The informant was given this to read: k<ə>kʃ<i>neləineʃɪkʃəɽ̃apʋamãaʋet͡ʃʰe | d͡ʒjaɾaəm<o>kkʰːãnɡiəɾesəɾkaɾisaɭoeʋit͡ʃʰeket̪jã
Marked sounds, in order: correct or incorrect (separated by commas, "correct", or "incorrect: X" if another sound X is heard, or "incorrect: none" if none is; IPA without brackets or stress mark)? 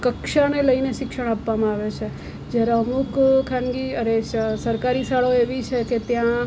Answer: correct, incorrect: a, incorrect: u